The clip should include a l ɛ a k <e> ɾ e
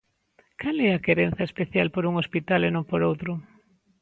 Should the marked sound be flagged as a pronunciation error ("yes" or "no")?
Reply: no